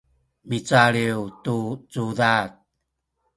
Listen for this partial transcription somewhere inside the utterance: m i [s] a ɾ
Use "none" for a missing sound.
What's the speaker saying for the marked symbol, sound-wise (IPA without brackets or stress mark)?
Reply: t͡s